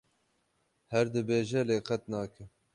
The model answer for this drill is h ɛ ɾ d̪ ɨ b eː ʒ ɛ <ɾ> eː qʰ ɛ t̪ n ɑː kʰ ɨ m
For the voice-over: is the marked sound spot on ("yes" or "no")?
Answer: no